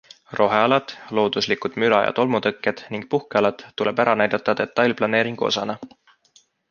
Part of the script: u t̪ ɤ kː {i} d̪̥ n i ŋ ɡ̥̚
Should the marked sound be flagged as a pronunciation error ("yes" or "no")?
yes